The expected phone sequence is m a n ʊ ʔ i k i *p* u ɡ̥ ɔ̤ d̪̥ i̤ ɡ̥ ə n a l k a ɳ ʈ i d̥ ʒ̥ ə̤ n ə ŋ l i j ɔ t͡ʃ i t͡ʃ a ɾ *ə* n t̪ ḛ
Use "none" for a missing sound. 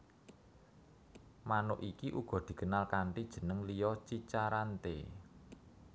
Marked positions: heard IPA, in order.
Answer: ʔ, a

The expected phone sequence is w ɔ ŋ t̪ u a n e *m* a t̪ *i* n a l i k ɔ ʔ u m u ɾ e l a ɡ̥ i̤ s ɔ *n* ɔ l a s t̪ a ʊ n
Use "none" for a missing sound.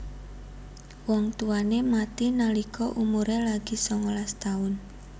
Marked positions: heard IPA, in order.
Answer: m, i, ŋ

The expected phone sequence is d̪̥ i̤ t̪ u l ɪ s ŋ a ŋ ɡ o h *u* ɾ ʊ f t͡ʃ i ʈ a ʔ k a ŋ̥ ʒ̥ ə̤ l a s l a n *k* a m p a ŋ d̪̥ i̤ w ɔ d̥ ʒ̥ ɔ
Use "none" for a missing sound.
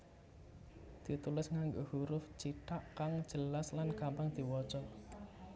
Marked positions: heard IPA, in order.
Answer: u, k

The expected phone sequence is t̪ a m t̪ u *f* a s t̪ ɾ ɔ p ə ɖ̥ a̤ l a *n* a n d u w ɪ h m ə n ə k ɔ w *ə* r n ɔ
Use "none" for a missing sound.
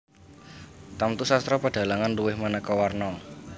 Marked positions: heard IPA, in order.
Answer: s, ŋ, a

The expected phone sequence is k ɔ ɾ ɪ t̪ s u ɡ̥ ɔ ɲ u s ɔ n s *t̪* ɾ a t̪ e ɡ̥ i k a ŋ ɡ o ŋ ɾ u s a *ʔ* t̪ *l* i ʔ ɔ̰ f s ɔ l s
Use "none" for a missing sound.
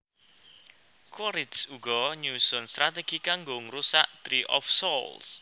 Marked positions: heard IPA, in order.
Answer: t̪, ʔ, ɾ

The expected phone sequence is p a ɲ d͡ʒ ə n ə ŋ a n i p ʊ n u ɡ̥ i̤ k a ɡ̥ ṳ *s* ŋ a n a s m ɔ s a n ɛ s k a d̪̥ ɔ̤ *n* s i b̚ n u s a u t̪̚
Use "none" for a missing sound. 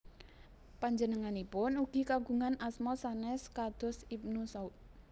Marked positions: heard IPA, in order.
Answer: none, none

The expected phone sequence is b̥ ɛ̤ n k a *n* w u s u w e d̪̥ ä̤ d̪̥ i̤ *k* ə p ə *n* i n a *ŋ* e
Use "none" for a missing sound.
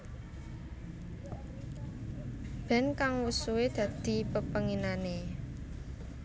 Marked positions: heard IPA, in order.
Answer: ŋ, p, ŋ, n

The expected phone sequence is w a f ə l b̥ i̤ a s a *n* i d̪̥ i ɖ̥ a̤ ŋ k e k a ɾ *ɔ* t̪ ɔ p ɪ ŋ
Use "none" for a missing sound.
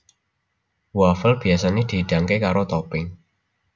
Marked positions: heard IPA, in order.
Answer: n, o

